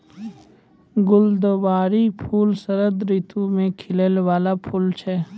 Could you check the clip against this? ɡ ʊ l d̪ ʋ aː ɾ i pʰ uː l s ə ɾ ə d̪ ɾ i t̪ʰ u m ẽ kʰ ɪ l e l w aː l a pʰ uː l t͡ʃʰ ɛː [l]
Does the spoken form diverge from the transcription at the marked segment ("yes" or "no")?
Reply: yes